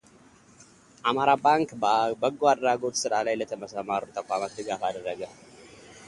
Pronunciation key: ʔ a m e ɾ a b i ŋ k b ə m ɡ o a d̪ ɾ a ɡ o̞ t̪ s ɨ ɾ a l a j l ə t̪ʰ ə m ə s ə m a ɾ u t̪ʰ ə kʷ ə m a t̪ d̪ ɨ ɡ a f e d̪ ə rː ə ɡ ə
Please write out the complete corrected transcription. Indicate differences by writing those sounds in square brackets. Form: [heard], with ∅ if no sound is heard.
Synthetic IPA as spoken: ʔ a m [a] ɾ a b [a] ŋ k b ə [∅] ɡ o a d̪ ɾ a ɡ o̞ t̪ s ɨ ɾ a l a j l ə t̪ʰ ə m ə s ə m a ɾ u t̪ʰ ə kʷ [a] m a t̪ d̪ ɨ ɡ a f [a] d̪ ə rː ə ɡ ə